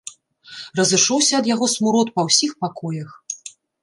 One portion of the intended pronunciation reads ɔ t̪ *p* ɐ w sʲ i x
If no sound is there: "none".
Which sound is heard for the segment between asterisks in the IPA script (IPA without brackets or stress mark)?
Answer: p